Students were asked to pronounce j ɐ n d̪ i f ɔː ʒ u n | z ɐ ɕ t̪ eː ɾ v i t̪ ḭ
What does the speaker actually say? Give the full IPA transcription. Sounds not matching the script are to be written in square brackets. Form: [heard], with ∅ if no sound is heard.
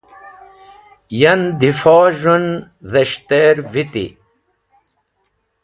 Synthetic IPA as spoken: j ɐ n d̪ i f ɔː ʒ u n | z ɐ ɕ t̪ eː ɾ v i t̪ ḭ